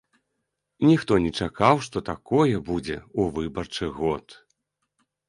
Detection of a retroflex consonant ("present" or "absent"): present